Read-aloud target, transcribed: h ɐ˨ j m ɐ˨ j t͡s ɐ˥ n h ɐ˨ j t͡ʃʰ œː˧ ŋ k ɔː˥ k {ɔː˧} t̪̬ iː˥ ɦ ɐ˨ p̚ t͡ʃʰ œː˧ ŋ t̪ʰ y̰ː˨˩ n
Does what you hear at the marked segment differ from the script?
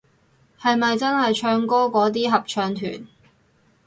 yes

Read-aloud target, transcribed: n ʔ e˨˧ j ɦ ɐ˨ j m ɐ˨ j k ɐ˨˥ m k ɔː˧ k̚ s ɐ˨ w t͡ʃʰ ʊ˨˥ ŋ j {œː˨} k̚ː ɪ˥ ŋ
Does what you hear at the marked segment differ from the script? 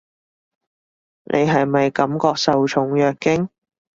no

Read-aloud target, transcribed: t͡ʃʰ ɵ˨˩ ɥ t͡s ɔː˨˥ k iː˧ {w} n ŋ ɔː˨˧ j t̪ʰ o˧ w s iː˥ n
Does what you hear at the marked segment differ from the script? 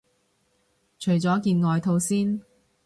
yes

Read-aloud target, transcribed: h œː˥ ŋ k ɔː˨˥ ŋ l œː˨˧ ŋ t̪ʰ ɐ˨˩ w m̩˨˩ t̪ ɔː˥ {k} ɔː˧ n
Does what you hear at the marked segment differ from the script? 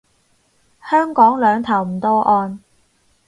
yes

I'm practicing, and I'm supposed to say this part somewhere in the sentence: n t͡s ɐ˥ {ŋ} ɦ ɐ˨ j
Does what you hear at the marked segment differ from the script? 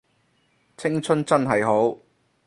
yes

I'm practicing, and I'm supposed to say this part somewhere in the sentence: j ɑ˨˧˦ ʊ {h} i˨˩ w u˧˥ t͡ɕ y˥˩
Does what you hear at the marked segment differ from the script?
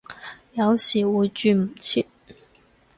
yes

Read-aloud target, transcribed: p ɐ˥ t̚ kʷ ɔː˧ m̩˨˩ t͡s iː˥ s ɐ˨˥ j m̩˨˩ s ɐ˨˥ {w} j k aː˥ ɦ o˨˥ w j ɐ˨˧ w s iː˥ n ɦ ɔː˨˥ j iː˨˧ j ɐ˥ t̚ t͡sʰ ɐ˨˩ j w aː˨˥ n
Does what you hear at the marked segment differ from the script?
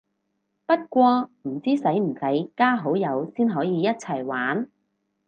yes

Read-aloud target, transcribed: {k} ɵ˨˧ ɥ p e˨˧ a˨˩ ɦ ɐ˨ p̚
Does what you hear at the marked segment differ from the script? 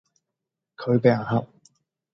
yes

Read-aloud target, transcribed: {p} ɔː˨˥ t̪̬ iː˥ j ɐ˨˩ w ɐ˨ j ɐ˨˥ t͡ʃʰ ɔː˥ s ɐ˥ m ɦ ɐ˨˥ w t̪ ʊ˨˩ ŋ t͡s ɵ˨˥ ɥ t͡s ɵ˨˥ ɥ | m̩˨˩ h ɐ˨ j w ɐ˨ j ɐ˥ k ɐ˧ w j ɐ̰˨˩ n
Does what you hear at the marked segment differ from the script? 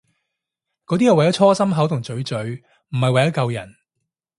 yes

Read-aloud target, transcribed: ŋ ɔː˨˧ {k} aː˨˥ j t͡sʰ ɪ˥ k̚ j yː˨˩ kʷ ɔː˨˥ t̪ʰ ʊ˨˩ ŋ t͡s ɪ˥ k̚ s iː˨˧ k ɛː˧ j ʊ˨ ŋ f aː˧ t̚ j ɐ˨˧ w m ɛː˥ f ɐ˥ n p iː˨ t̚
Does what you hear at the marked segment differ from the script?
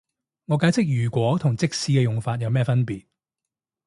no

